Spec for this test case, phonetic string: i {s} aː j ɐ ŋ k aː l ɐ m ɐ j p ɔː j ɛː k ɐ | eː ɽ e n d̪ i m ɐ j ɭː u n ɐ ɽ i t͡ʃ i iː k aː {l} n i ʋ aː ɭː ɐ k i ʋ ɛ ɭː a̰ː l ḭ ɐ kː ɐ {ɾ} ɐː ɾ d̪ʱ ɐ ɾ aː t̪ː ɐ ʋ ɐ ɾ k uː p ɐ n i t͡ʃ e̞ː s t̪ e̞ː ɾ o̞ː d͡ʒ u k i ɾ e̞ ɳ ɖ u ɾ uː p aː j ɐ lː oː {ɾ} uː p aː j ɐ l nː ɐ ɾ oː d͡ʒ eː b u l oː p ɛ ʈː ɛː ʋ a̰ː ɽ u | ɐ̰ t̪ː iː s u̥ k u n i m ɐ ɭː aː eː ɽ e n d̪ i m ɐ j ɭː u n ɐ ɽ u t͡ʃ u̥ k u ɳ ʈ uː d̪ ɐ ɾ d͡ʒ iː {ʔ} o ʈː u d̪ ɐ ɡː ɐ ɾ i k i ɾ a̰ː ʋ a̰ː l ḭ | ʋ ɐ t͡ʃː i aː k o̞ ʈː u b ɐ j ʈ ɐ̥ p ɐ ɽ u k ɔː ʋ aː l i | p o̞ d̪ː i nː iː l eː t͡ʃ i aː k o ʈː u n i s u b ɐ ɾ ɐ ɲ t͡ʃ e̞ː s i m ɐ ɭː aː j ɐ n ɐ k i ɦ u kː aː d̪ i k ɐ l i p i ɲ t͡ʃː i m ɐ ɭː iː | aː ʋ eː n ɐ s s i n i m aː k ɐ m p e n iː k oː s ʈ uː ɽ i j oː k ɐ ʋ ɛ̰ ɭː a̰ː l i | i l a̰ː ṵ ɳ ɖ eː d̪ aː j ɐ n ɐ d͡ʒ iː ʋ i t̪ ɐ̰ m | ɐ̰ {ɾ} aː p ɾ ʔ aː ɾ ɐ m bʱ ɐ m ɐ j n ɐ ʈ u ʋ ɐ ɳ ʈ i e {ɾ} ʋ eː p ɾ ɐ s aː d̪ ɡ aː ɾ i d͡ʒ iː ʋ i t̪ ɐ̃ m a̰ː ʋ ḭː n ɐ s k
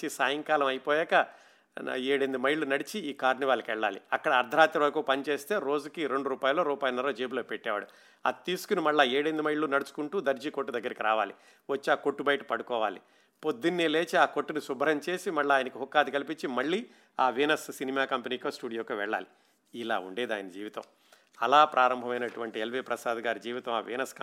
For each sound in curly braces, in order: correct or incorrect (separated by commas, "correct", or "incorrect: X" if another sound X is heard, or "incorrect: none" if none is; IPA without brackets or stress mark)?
correct, incorrect: ɾ, incorrect: ɽ, correct, incorrect: k, incorrect: l, incorrect: l